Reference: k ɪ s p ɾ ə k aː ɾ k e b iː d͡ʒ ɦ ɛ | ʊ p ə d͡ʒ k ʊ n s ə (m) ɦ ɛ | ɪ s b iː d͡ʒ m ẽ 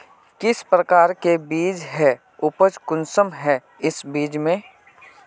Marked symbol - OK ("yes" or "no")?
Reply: yes